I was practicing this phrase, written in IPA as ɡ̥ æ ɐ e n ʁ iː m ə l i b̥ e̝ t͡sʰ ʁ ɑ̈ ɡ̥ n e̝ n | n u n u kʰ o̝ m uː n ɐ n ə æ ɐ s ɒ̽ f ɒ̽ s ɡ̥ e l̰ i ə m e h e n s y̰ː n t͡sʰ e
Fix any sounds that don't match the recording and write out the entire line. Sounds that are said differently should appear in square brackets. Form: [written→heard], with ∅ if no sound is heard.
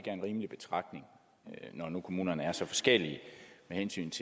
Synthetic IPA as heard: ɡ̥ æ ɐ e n ʁ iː m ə l i b̥ e̝ t͡sʰ ʁ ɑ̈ ɡ̥ n e̝ [n→ŋ] | n [u→ɒ] n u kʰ o̝ m uː n ɐ n ə æ ɐ s ɒ̽ f ɒ̽ s ɡ̥ e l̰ i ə m e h e n s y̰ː n t͡sʰ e